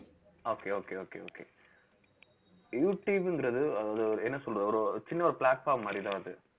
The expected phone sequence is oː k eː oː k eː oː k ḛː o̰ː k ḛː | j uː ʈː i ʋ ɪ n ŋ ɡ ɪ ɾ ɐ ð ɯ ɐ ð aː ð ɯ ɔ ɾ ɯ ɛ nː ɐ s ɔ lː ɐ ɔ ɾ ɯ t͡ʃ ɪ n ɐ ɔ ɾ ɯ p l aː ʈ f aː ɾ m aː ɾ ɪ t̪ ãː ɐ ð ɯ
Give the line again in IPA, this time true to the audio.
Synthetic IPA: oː k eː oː k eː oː k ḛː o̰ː k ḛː | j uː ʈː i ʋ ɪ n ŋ ɡ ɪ ɾ ɐ ð ɯ ɐ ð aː ð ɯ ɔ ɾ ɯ ɛ nː ɐ s ɔ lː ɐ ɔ ɾ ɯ t͡ʃ ɪ nː ɐ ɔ ɾ ɯ p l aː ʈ f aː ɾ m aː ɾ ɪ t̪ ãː ɐ ð ɯ